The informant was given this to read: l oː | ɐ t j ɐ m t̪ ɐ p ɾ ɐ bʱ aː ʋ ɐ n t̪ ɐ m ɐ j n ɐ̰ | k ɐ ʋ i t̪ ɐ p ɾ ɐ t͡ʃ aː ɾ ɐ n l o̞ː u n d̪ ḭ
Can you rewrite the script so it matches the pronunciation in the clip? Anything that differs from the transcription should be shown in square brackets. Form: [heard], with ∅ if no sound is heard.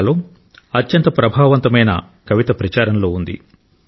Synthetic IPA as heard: l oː | ɐ t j ɐ [n] t̪ ɐ p ɾ ɐ bʱ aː ʋ ɐ n t̪ ɐ m ɐ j n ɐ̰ | k ɐ ʋ i t̪ ɐ p ɾ ɐ t͡ʃ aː ɾ ɐ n l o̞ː u n d̪ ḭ